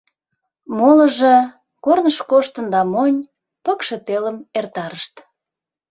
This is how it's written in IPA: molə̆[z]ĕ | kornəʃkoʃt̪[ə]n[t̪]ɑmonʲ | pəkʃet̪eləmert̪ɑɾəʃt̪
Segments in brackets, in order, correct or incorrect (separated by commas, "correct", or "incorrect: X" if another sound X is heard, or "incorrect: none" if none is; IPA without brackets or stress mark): incorrect: ʒ, correct, incorrect: d̪